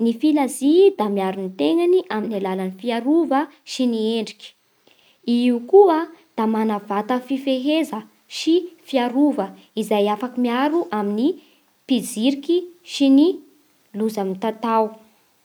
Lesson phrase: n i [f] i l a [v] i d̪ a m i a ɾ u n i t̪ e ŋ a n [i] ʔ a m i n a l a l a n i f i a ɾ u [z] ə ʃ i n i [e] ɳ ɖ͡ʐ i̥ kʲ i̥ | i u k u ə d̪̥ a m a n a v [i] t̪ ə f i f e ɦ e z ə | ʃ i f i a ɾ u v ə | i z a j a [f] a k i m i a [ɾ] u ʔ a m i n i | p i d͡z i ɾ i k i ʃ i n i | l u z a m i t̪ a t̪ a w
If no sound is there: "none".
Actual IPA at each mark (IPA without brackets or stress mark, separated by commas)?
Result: f, z, i, v, e, a, f, ɾ